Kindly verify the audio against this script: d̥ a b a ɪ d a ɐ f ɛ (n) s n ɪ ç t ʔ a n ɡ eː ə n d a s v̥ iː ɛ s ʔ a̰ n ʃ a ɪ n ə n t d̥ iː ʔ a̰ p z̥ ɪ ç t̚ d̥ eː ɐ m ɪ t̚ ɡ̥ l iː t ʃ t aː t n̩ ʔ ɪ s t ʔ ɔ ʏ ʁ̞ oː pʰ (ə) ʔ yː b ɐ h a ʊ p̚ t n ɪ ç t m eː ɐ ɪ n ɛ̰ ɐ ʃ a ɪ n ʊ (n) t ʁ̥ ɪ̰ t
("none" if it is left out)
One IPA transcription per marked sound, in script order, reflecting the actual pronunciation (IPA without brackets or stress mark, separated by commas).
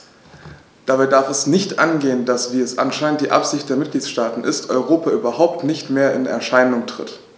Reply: none, a, ŋ